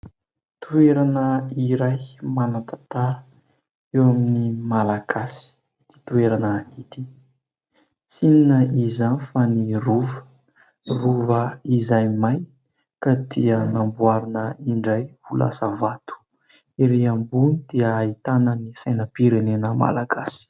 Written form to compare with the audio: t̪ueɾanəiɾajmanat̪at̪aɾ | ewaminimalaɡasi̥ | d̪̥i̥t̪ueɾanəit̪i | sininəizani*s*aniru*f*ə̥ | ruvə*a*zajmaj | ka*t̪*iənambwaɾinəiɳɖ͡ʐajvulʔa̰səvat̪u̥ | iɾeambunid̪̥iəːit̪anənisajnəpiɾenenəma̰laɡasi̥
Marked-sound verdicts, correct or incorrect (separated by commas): incorrect, incorrect, incorrect, incorrect